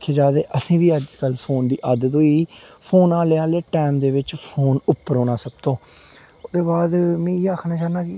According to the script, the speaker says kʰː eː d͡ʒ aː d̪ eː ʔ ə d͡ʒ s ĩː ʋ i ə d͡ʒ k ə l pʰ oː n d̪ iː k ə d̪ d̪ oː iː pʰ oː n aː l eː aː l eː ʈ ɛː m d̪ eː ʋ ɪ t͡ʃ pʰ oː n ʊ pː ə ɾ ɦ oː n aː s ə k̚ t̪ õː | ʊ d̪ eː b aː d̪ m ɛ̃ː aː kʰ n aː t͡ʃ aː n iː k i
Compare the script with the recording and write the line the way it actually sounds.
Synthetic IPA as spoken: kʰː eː d͡ʒ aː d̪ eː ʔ ə s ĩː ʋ iː ə d͡ʒ k ə l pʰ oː n d̪ iː ʔ ə d̪ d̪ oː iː pʰ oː n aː l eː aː l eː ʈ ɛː m d̪ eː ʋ ɪ t͡ʃ pʰ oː n ʊ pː ə ɾ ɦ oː n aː s ə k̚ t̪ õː | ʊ d̪ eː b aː d̪ m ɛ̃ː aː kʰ n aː t͡ʃ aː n aː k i